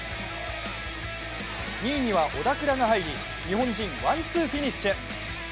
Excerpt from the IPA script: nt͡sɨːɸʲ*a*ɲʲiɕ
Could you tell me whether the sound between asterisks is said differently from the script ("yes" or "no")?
yes